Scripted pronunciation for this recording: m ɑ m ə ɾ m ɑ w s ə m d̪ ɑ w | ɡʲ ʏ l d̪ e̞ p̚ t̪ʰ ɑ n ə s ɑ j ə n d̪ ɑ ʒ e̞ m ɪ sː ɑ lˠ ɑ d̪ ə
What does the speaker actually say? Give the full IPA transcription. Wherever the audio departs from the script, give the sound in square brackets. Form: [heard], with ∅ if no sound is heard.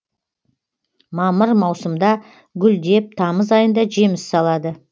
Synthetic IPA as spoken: m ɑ m ə ɾ m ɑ w s ə m d̪ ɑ [∅] | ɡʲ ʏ l d̪ e̞ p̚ t̪ʰ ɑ [m] ə [z] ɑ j ə n d̪ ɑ ʒ e̞ m ɪ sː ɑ lˠ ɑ d̪ ə

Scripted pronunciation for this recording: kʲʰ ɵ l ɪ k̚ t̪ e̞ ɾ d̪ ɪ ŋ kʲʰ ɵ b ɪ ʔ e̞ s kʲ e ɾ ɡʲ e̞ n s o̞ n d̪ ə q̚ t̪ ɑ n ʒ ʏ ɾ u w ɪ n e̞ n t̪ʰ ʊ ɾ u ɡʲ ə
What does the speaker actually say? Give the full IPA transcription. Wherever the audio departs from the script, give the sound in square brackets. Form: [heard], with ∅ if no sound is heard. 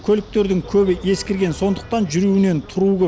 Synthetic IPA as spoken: kʲʰ ɵ l ɪ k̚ t̪ e̞ ɾ d̪ ɪ ŋ kʲʰ ɵ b ɪ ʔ e̞ s kʲ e ɾ ɡʲ e̞ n s o̞ n d̪ ə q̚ t̪ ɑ n ʒ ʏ ɾ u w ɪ n e̞ n t̪ʰ ʊ ɾ u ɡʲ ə

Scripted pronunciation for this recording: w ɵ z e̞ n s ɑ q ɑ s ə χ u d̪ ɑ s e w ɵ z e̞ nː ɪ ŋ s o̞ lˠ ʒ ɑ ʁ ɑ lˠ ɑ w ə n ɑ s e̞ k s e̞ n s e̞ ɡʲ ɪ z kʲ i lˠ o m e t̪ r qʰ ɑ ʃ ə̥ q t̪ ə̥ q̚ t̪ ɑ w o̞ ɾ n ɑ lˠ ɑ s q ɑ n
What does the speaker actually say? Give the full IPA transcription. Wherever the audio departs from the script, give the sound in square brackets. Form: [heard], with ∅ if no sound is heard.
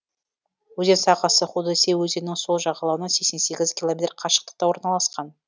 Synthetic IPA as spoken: w ɵ z e̞ n s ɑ q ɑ s ə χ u d̪ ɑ s e w ɵ z e̞ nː ɪ ŋ s o̞ lˠ ʒ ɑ ʁ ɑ lˠ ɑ w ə n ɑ s e̞ k s e̞ n s e̞ ɡʲ ɪ z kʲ i lˠ o m e t̪ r qʰ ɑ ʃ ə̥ q t̪ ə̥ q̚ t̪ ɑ w o̞ ɾ n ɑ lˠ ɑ s q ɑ n

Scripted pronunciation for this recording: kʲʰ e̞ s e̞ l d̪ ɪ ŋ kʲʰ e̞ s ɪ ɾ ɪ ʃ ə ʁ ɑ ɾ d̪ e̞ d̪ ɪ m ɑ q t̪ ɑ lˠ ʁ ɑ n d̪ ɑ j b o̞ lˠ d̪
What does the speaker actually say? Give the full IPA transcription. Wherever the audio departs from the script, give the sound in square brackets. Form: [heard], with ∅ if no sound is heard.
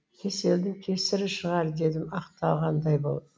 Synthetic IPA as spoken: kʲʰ e̞ s e̞ l d̪ ɪ ŋ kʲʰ e̞ s ɪ ɾ ɪ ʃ ə ʁ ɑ ɾ d̪ e̞ d̪ ɪ m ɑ q t̪ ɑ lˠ ʁ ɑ n d̪ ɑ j b o̞ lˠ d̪

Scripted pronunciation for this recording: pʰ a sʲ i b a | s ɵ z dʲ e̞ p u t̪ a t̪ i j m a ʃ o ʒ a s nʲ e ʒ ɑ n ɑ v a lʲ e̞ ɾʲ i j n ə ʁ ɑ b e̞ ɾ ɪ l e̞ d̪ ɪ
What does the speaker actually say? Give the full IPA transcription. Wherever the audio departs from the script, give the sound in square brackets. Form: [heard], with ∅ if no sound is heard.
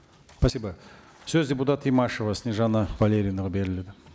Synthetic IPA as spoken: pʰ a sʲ i b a | s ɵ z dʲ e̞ p u t̪ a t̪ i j m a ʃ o [v] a s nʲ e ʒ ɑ n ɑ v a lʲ e̞ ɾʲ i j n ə ʁ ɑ b e̞ ɾ ɪ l e̞ d̪ ɪ

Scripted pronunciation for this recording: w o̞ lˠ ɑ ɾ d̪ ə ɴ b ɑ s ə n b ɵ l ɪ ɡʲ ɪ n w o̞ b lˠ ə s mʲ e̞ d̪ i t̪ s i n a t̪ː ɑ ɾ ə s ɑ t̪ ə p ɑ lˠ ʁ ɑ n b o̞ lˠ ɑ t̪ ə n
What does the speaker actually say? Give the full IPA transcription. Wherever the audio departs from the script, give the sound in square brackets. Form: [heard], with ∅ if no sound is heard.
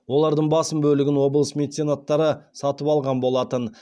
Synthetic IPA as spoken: w o̞ lˠ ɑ ɾ d̪ ə ɴ b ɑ s ə [m] b ɵ l ɪ ɡʲ ɪ n w o̞ b lˠ ə s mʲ e̞ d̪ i t̪ s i n a t̪ː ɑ ɾ ə s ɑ t̪ ə p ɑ lˠ ʁ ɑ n b o̞ lˠ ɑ t̪ ə n

